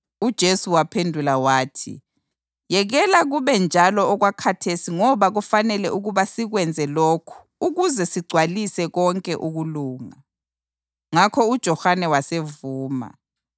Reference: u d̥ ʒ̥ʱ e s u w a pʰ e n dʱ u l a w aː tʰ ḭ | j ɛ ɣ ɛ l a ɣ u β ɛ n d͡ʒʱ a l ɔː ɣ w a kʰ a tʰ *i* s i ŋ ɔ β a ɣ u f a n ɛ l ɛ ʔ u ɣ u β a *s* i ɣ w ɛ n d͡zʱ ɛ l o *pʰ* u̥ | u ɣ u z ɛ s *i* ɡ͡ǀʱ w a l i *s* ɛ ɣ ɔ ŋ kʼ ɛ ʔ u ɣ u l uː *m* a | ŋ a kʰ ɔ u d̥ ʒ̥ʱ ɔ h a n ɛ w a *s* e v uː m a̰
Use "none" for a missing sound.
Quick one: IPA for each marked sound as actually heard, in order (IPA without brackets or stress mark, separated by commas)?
e, s, kʰ, i, s, ŋ, s